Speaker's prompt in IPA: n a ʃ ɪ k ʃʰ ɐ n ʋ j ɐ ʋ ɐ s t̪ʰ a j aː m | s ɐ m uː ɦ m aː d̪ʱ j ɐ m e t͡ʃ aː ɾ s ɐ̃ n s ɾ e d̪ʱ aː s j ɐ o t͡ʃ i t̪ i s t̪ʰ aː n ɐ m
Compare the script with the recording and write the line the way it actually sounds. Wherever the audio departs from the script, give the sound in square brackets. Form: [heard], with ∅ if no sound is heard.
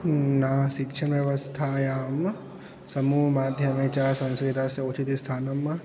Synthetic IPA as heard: n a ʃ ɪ k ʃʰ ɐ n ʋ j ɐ ʋ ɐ s t̪ʰ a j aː m | s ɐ m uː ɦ m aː d̪ʱ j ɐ m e t͡ʃ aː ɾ s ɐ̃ n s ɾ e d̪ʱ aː s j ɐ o t͡ʃ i t̪ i s t̪ʰ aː n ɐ m